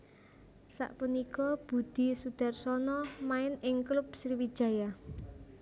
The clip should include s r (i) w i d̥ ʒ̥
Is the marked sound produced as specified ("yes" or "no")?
yes